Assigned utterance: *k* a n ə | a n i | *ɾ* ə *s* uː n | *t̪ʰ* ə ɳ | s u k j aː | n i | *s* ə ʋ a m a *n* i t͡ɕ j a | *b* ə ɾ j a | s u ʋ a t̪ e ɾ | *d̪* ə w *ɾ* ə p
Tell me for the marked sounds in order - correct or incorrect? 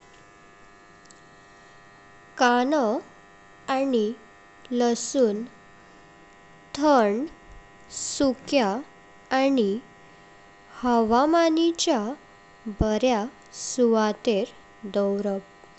correct, incorrect: l, correct, correct, incorrect: h, correct, correct, correct, correct

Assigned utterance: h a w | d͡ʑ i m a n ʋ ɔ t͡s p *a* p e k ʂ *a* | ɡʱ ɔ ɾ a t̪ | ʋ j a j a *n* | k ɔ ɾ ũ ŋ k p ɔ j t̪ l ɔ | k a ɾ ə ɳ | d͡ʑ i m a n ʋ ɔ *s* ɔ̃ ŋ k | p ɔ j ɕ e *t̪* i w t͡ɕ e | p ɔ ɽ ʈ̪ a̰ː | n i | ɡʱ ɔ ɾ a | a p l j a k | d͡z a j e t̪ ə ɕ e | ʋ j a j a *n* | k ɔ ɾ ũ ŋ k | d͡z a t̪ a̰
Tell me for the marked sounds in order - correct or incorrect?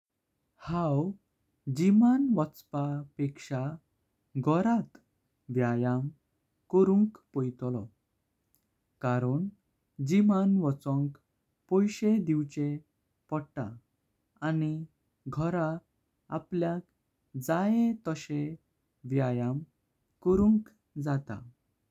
correct, correct, incorrect: m, incorrect: t͡s, incorrect: d̪, incorrect: m

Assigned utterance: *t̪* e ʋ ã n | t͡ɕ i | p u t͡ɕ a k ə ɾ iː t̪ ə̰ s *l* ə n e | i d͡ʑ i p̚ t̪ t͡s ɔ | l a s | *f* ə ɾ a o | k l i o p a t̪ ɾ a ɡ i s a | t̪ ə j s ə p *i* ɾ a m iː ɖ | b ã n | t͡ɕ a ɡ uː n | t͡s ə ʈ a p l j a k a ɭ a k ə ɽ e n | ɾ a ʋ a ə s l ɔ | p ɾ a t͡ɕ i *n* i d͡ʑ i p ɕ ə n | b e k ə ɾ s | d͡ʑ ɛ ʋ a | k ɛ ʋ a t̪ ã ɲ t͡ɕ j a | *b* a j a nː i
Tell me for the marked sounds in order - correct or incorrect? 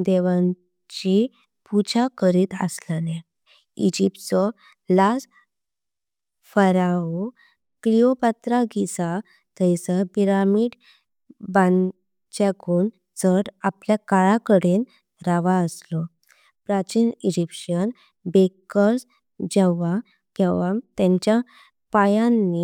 incorrect: d̪, correct, correct, correct, correct, incorrect: p

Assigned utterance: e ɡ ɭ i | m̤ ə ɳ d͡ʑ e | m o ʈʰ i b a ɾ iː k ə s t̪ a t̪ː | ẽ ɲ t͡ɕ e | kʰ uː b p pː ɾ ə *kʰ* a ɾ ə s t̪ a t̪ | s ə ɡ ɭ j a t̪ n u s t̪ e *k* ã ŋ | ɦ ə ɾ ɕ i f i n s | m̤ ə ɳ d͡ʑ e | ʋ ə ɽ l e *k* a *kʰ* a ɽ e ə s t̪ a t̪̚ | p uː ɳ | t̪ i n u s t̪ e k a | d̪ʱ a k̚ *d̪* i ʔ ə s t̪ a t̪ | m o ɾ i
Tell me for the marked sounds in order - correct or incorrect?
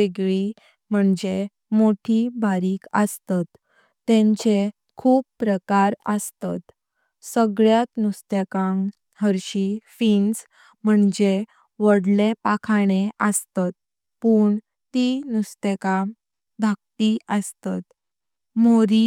incorrect: k, correct, incorrect: p, correct, incorrect: t̪

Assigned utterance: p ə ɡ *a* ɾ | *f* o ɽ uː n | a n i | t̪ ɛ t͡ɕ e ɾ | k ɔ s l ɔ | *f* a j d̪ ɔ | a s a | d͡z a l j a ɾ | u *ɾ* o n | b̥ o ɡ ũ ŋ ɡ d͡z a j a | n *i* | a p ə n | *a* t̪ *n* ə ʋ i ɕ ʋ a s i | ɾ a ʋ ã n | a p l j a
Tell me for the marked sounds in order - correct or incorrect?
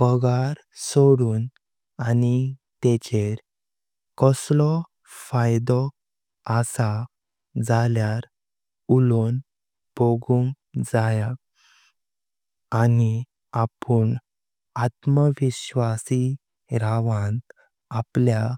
correct, incorrect: s, correct, incorrect: l, correct, correct, incorrect: m

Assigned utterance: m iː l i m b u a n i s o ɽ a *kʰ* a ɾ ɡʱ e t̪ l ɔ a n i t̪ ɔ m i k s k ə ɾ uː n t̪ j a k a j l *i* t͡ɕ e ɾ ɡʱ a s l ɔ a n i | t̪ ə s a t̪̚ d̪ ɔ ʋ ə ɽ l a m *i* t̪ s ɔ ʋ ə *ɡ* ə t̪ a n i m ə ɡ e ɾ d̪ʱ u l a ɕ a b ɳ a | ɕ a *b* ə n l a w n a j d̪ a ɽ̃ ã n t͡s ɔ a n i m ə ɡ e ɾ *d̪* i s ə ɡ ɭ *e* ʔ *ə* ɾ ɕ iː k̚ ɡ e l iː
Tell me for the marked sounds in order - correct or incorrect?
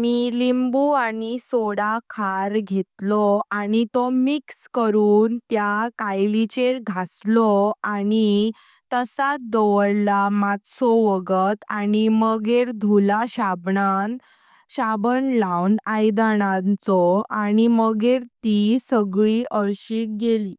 correct, correct, incorrect: a, correct, correct, incorrect: t̪, incorrect: i, correct

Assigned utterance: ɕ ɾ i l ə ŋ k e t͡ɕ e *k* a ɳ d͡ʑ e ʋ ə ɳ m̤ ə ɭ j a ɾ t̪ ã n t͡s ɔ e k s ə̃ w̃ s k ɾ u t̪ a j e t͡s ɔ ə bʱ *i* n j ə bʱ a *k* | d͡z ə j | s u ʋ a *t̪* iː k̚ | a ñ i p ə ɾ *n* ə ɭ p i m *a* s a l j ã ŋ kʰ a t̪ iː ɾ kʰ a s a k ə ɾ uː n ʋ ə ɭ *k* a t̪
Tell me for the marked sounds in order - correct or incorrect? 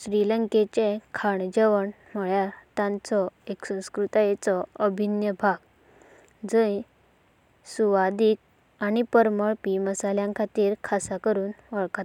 incorrect: kʰ, correct, incorrect: ɡ, incorrect: d̪, incorrect: m, incorrect: ə, correct

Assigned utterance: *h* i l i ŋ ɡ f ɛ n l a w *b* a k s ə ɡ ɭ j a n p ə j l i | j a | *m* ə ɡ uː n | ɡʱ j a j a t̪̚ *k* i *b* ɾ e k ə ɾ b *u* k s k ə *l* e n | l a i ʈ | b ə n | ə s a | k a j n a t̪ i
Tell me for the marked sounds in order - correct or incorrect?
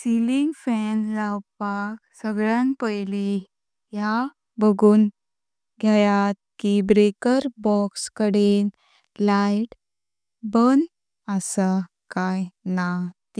incorrect: s, incorrect: p, incorrect: b, correct, correct, incorrect: ɔ, incorrect: ɽ

